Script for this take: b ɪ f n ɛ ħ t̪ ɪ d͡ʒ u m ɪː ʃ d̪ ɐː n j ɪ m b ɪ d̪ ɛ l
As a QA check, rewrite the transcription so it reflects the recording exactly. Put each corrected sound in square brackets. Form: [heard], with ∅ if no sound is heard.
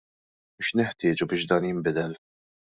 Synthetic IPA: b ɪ [ʃ] n ɛ ħ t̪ [ɪː] d͡ʒ u [b] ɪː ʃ d̪ ɐː n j ɪ m b ɪ d̪ ɛ l